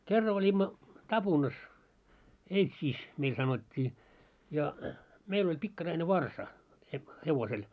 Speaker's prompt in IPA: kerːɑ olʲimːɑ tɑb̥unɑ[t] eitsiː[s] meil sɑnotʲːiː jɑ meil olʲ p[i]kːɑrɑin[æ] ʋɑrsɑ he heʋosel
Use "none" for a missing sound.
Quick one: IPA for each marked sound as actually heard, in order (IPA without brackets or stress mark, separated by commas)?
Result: s, s, i, e